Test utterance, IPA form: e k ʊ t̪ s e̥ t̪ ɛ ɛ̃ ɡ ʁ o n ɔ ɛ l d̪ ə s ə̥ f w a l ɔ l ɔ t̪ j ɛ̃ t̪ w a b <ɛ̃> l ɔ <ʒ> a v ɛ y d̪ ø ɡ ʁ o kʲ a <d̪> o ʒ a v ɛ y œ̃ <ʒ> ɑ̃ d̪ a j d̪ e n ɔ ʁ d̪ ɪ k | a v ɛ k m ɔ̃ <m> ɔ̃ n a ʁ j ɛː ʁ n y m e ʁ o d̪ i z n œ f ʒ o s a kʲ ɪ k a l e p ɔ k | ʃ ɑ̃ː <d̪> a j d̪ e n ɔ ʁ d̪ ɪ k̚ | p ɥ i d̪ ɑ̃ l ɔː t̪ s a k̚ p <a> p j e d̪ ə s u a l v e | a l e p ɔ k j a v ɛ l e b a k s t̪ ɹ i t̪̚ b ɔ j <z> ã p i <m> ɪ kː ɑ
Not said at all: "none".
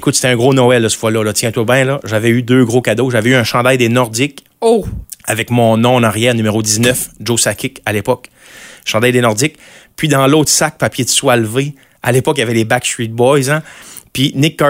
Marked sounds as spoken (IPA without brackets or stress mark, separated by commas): ɛ̃, ʒ, d̪, ʃ, n, d̪, a, z, n